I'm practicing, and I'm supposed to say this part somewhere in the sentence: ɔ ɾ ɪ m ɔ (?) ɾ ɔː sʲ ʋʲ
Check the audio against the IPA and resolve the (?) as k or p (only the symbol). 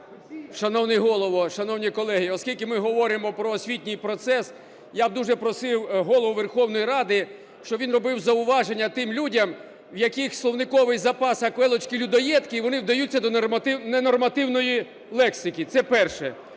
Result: p